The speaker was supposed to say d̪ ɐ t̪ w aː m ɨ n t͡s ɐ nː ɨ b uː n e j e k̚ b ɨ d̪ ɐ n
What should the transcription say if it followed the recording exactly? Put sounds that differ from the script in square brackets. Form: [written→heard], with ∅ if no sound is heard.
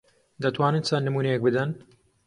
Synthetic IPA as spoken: d̪ ɐ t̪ w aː [m→n] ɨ n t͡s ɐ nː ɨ [b→m] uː n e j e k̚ b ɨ d̪ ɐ n